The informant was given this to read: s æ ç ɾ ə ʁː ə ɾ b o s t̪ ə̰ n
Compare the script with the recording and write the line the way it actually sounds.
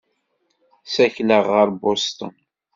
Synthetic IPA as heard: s æ ç l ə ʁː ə ɾ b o s t̪ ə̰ n

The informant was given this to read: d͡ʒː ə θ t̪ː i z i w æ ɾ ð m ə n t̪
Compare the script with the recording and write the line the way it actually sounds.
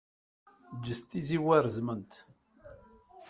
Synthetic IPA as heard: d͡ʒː ə θ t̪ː i z i w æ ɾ z m ə n t̪

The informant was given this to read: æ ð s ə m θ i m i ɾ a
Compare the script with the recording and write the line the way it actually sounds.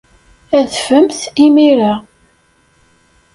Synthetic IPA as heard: æ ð f ə m θ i m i ɾ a

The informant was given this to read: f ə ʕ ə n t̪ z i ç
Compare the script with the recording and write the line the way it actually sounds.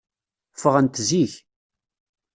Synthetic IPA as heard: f ə ʁ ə n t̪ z i ç

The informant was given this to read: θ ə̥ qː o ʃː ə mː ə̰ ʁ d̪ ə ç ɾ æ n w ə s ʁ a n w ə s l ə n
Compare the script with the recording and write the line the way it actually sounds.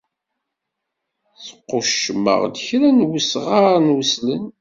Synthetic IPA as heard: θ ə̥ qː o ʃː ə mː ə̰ ʁ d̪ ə ç ɾ æ n w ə s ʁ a n w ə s l ə n

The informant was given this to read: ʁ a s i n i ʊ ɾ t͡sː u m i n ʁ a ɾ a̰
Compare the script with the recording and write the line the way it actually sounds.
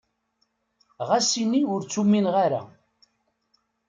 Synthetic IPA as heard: ʁ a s i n i ʊ ɾ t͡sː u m i n ʁ a ɾ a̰

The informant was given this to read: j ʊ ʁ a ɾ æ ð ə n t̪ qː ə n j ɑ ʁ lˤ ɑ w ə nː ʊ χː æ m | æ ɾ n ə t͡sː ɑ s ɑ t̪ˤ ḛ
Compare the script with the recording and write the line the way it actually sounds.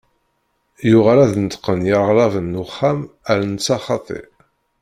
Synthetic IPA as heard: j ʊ ʁ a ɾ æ ð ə n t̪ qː ə n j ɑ ʁ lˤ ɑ v ə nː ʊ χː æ m | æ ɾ n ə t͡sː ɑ χ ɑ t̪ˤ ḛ

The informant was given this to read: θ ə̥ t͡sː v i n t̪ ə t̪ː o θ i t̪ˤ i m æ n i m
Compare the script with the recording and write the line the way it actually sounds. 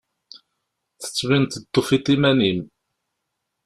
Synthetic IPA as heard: θ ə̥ t͡sː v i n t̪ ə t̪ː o f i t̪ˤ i m æ n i m

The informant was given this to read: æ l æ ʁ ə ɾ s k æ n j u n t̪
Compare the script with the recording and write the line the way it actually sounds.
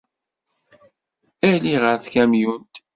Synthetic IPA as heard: æ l i ʁ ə ɾ θ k æ m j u n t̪

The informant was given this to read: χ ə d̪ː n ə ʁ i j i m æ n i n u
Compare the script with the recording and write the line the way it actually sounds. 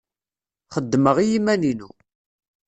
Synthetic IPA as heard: χ ə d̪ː m ə ʁ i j i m æ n i n u

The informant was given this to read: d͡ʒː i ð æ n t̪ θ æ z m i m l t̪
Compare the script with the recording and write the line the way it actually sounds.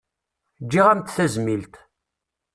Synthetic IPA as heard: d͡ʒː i ʁ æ m t̪ θ æ z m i l t̪

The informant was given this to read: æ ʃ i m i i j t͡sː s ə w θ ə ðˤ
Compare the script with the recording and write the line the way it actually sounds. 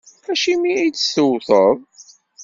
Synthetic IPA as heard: æ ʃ i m i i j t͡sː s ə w θ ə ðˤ

